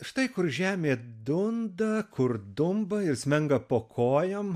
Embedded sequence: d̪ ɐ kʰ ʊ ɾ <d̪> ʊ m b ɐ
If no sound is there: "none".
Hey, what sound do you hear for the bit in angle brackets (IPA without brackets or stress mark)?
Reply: d̪